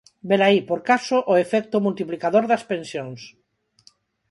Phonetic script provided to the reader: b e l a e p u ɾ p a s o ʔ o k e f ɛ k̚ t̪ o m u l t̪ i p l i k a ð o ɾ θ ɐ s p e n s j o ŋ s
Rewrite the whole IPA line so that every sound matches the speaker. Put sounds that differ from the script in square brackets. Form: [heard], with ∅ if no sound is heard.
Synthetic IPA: b e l a [i] p [o] ɾ [k] a s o ʔ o [∅] e f ɛ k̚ t̪ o m u l t̪ i p l i k a ð o ɾ [ð] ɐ s p e n s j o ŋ s

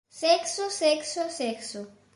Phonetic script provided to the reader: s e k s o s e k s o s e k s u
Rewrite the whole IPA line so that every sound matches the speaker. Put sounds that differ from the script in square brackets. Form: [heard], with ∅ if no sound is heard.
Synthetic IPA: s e k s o s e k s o s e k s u

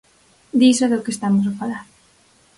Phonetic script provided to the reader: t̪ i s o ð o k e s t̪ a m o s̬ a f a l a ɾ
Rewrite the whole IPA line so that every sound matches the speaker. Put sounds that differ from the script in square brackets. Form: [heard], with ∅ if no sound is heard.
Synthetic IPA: [d̪] i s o ð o k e s t̪ a m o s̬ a f a l a ɾ

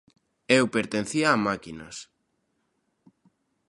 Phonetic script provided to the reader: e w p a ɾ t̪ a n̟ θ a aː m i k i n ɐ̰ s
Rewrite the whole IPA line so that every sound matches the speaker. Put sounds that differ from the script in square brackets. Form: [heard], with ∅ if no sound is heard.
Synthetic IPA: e w p [e] ɾ t̪ [e] n̟ θ [i] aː m [a] k i n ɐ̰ s

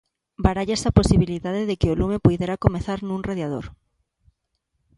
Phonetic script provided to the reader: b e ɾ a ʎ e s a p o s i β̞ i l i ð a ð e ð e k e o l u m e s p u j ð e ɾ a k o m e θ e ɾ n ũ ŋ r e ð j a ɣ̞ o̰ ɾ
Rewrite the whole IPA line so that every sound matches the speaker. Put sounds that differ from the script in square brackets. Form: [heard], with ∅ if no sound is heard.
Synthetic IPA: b [a] ɾ a ʎ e s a p o s i β̞ i l i ð a ð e ð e k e o l u m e [∅] p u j ð e ɾ a k o m e θ [a] ɾ n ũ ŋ r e ð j a [ð̞] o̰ ɾ

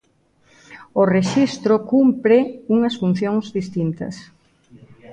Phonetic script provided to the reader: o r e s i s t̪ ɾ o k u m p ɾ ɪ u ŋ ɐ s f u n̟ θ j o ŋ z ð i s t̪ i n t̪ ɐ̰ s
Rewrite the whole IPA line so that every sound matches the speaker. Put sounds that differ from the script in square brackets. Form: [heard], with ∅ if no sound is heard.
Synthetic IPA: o r e [ʃ] i s t̪ ɾ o k u m p ɾ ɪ u ŋ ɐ s f u n̟ θ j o ŋ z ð i s t̪ i n t̪ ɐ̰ s

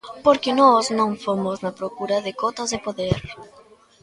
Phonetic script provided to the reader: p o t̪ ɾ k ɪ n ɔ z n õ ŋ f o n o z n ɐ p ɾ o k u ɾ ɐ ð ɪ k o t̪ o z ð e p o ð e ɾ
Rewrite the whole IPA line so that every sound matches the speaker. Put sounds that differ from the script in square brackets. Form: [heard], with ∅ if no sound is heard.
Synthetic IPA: p o [∅] ɾ k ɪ n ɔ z n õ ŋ f o [m] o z n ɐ p ɾ o k u ɾ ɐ ð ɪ k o t̪ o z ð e p o ð e ɾ

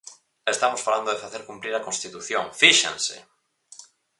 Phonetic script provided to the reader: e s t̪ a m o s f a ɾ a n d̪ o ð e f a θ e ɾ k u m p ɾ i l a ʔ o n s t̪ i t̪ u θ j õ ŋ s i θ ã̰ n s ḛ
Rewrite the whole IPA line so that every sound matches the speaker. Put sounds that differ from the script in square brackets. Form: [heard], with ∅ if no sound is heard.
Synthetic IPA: e s t̪ a m o s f a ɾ a n d̪ o ð e f a θ e ɾ k u m p ɾ i [ɾ] a [k] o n s t̪ i t̪ u θ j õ ŋ [f] i [ʃ] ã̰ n s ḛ

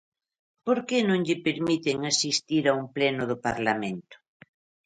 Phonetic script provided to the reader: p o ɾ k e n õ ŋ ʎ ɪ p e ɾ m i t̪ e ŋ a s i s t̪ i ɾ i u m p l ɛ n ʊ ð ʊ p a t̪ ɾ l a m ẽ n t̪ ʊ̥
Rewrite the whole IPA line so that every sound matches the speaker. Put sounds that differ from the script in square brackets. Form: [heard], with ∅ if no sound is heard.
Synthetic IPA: p o ɾ k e n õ ŋ ʎ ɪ p e ɾ m i t̪ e ŋ a s i s t̪ i ɾ [a] u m p l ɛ n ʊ ð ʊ p a [∅] ɾ l a m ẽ n t̪ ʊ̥

